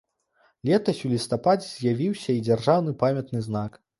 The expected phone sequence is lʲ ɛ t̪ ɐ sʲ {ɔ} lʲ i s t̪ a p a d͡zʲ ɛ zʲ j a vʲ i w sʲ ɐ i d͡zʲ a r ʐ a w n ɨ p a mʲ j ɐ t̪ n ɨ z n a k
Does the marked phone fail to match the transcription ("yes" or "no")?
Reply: yes